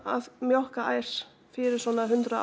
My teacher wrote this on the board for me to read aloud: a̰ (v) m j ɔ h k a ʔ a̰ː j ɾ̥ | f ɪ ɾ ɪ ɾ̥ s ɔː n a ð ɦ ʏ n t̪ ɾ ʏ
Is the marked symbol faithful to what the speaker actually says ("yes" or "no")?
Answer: no